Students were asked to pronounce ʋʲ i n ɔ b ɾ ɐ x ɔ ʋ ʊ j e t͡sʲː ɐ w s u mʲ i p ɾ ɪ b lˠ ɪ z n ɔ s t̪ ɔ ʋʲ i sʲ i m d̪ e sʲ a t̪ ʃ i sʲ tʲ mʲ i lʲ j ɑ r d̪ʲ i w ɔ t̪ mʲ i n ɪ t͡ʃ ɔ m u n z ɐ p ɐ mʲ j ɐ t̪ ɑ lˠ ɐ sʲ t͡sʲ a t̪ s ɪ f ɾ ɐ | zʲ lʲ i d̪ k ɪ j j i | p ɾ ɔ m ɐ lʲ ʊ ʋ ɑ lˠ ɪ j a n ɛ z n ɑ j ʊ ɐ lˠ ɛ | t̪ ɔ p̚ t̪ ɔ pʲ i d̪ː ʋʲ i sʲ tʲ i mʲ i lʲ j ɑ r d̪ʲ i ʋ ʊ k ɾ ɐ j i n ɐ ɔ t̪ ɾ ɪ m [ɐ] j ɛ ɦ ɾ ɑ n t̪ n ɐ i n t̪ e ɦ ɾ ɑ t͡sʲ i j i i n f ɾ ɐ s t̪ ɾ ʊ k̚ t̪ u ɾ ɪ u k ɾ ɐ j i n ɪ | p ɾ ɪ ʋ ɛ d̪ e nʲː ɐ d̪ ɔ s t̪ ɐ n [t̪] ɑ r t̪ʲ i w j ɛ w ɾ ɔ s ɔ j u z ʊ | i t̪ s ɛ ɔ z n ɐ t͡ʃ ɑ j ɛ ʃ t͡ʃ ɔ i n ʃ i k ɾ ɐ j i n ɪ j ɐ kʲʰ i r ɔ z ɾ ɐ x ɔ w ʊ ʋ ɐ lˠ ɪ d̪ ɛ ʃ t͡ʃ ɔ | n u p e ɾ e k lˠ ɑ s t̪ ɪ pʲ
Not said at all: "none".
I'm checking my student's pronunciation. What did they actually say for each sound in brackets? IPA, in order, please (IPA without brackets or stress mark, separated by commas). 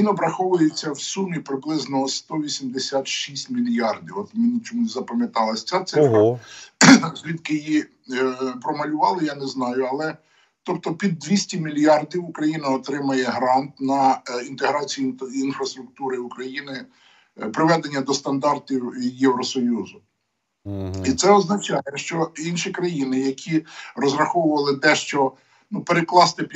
ɐ, d̪